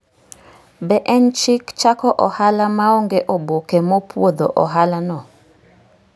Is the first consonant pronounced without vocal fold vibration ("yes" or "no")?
no